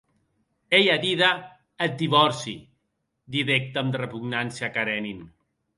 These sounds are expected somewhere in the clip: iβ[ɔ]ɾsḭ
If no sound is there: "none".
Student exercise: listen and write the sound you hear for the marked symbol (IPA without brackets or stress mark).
ɔ